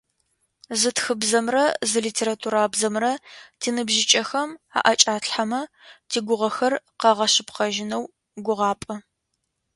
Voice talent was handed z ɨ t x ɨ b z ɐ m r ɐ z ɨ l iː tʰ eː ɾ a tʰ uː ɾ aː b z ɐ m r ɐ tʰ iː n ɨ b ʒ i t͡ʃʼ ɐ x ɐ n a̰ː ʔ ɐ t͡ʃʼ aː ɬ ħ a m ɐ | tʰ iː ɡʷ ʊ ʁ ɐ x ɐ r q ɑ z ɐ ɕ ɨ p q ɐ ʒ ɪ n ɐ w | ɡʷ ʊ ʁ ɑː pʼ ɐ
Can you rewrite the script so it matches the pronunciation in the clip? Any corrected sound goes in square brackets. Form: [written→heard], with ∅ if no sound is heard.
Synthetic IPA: z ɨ t x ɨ b z ɐ m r ɐ z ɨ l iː tʰ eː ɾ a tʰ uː ɾ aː b z ɐ m r ɐ tʰ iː n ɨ b ʒ [i→ɪ] t͡ʃʼ ɐ x ɐ [n→m] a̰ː ʔ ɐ t͡ʃʼ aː ɬ ħ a m ɐ | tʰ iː ɡʷ ʊ ʁ ɐ x ɐ r q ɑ [z→ʁ] ɐ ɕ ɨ p q ɐ ʒ ɪ n ɐ w | ɡʷ ʊ ʁ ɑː pʼ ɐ